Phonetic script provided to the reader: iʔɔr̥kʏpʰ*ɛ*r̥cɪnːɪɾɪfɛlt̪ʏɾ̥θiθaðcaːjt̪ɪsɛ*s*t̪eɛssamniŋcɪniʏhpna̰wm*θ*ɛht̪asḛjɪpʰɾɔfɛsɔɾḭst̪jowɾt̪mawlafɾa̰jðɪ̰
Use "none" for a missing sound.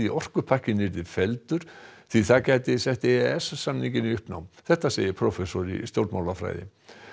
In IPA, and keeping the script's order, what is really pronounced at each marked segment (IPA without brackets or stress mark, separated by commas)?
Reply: a, h, θ